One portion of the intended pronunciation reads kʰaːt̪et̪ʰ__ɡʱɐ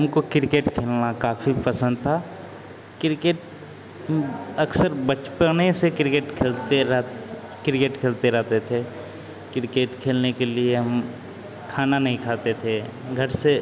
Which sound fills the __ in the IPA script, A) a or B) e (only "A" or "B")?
B